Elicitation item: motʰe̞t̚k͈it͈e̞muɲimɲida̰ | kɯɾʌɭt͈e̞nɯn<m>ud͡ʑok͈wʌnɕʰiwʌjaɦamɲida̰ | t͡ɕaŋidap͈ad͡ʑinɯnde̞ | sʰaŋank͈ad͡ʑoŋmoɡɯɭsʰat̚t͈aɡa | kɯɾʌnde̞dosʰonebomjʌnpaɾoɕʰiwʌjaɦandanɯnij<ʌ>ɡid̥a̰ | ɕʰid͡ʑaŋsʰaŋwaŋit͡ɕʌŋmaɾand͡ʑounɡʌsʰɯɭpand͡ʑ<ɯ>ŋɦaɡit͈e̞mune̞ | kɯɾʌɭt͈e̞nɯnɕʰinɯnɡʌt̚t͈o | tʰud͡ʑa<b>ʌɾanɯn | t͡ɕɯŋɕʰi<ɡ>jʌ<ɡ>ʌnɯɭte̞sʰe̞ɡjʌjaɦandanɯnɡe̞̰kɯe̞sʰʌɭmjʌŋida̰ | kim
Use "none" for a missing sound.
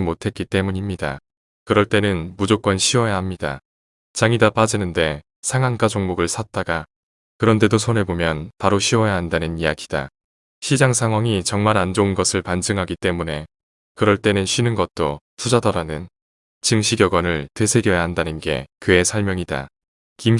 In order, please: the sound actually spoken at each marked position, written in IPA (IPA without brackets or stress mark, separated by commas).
m, a, ɯ, d, ɡ, ɡ